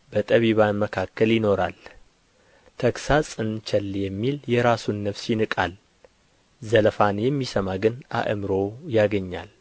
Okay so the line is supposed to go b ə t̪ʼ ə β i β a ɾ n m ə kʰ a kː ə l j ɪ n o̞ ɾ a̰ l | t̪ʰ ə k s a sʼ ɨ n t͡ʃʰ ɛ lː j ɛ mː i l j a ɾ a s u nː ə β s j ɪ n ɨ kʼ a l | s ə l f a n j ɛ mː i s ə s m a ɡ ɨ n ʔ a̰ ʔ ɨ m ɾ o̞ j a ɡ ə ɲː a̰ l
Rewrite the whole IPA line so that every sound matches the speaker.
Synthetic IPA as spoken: b ə t̪ʼ ə β i β a n m ə kʰ a kː ə l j ɪ n o̞ ɾ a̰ l | t̪ʰ ə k s a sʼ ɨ n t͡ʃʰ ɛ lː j ɛ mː i l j ɛ ɾ a s u nː ə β s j ɪ n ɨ kʼ a l | z ə l f a n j ɛ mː i s ə m a ɡ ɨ n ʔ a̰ ʔ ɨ m ɾ o̞ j a ɡ ə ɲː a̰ l